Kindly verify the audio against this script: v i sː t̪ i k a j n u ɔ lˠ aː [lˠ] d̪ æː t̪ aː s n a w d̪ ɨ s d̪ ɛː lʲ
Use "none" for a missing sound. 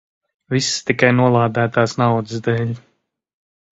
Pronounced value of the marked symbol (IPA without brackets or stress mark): none